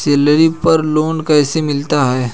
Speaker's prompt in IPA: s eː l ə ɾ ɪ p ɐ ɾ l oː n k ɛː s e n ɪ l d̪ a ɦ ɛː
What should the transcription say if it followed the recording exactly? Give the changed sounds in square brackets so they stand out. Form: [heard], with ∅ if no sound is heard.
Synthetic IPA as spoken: s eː l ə ɾ [i] p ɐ ɾ l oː n k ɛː s e [m] ɪ l [t̪] a ɦ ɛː